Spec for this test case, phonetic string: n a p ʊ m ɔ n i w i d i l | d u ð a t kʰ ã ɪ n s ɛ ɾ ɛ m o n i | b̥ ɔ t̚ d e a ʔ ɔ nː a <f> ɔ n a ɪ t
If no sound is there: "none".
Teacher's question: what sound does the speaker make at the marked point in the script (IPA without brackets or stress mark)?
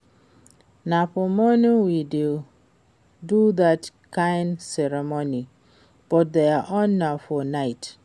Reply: f